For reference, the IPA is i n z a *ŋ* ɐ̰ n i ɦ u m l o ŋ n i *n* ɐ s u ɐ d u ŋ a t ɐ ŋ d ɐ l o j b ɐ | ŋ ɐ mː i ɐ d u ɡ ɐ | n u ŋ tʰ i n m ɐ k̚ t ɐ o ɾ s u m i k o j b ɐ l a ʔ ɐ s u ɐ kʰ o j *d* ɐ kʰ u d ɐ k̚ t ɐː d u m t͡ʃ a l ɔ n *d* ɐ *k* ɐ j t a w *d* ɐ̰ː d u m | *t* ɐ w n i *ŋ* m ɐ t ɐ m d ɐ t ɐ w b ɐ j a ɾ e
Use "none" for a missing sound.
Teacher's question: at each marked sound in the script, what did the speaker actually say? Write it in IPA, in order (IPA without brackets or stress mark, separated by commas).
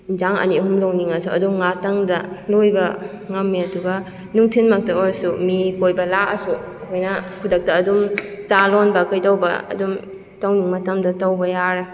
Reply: ŋ, ŋ, n, b, k, b, t, ŋ